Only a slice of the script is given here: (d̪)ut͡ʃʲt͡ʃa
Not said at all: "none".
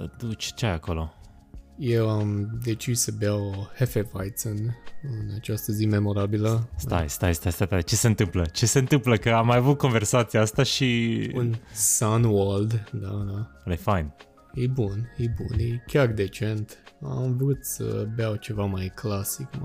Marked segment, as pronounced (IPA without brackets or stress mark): d̪